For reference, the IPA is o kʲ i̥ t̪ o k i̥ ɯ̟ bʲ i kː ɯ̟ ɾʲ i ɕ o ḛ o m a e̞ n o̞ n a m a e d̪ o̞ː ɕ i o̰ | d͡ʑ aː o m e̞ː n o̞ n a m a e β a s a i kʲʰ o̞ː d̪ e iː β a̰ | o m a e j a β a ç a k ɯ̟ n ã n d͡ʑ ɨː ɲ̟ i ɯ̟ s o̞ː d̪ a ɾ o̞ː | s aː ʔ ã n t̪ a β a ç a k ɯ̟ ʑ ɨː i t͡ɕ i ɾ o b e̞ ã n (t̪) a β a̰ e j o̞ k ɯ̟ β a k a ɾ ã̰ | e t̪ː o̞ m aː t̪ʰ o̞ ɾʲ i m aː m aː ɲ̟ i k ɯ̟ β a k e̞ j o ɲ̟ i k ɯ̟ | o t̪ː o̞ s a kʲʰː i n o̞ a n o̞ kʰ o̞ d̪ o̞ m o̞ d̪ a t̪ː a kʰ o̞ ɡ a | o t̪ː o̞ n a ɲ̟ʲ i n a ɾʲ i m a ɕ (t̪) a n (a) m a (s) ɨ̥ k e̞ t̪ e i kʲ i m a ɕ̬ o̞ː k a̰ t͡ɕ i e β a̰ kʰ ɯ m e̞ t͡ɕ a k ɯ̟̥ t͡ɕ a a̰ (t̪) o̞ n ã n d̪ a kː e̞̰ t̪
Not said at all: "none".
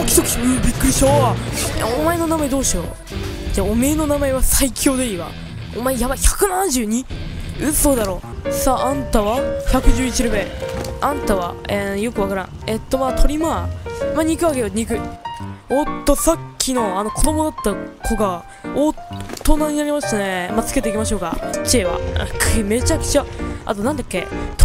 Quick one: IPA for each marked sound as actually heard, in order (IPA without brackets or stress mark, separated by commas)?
t̪, t̪, e, t͡s, t̪